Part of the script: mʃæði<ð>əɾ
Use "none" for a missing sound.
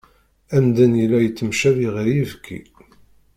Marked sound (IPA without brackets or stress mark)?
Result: ʁ